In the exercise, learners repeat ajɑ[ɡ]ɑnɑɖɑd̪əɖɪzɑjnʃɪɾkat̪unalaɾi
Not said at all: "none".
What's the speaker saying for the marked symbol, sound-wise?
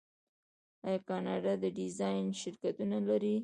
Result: k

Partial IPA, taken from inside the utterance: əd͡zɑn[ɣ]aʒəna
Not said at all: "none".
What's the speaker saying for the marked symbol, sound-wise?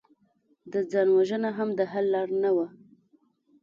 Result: w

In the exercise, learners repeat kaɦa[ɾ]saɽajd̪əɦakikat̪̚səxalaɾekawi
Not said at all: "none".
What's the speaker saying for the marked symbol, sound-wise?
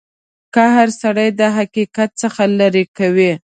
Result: ɾ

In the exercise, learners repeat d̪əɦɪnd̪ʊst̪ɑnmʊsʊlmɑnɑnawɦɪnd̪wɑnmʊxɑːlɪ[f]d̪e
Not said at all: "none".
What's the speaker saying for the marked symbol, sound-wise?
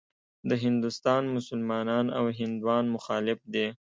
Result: f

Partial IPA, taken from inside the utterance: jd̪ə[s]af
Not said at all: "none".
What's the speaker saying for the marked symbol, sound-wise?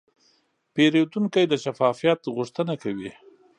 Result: ʃ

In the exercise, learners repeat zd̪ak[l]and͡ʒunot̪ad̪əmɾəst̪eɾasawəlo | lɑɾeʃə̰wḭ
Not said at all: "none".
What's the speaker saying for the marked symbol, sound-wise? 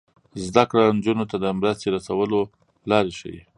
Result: ɽ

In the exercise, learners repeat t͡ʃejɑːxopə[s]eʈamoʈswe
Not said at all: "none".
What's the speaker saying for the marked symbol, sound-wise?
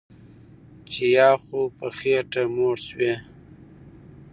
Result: x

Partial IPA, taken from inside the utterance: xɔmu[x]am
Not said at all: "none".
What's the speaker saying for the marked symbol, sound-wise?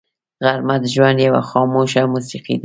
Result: ʃ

